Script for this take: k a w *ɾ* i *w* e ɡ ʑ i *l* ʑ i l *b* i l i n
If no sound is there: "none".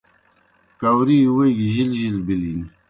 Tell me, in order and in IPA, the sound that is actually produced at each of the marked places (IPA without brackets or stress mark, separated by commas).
ɾ, w, l, b